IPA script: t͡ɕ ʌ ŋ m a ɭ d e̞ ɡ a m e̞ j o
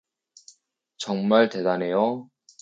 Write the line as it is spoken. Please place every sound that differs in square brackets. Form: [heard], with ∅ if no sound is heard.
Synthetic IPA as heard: t͡ɕ ʌ ŋ m a ɭ [t] e̞ [d] a [n] e̞ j o